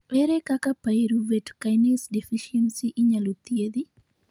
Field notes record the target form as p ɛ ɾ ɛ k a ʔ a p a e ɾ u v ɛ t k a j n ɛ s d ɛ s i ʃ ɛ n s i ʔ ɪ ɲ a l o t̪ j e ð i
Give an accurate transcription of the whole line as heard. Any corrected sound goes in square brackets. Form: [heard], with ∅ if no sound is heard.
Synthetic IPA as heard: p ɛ ɾ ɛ k a [k] a p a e ɾ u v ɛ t k a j n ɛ s d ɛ [f] i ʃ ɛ n s i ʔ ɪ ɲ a l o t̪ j e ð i